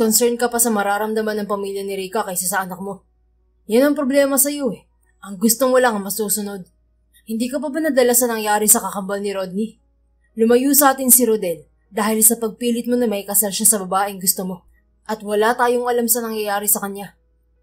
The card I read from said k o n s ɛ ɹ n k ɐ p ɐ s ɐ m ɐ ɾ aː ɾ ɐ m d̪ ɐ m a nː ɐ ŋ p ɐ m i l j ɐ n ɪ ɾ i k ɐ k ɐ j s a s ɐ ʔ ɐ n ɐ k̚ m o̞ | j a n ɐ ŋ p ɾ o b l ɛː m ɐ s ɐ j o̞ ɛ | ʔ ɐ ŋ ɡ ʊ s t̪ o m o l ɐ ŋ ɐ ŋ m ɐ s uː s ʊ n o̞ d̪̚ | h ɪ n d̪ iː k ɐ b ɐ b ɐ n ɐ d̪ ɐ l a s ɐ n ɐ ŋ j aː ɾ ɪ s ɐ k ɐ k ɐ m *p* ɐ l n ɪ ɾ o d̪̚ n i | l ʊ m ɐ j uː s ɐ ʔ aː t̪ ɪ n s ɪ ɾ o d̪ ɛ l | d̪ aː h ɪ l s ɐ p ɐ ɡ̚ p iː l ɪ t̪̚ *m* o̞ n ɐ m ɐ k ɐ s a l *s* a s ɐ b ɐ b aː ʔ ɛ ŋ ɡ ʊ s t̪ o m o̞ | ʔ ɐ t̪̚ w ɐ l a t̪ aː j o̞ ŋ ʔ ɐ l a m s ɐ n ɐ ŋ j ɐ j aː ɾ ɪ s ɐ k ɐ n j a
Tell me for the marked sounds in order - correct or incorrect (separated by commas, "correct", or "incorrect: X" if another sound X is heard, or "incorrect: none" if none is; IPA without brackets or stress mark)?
incorrect: b, correct, incorrect: ʃ